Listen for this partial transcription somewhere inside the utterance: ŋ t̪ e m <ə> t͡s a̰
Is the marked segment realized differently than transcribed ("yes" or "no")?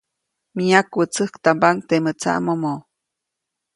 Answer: no